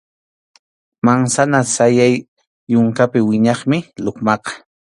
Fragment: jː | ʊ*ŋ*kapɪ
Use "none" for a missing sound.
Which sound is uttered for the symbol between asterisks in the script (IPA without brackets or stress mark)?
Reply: ŋ